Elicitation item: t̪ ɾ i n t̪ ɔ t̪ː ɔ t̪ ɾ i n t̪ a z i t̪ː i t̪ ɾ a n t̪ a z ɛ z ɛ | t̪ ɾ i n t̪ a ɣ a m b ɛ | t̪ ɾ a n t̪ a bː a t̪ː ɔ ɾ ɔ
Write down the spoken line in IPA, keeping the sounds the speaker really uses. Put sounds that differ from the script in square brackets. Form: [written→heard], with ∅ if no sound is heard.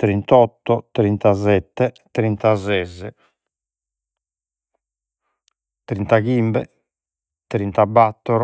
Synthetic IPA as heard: t̪ ɾ i n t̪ ɔ t̪ː ɔ t̪ ɾ i n t̪ a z [i→ɛ] t̪ː [i→ɛ] t̪ ɾ [a→i] n t̪ a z ɛ z ɛ | t̪ ɾ i n t̪ a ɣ [a→i] m b ɛ | t̪ ɾ [a→i] n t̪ a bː a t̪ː ɔ ɾ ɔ